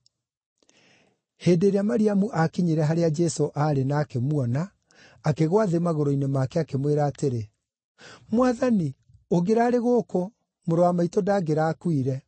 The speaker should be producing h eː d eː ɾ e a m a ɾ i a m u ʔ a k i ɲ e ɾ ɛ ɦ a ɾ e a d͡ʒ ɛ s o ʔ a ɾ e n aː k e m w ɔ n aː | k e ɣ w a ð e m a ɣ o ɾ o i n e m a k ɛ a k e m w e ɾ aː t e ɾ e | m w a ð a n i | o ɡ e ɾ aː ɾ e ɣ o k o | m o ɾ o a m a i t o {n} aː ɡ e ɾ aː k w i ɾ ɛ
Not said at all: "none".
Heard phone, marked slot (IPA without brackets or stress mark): d